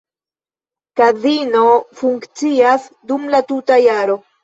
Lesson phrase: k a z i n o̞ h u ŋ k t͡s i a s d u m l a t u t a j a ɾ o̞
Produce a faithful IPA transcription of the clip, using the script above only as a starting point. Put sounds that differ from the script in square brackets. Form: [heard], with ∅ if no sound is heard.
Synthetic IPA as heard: k a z i n o̞ [f] u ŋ k t͡s i a s d u m l a t u t a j a ɾ o̞